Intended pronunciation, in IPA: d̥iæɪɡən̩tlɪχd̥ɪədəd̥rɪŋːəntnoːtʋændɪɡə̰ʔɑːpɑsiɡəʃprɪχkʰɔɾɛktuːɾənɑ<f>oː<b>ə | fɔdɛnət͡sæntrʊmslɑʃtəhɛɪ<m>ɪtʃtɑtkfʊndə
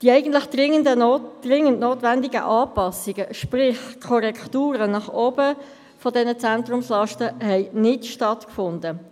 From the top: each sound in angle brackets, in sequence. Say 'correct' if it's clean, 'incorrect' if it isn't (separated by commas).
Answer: incorrect, correct, incorrect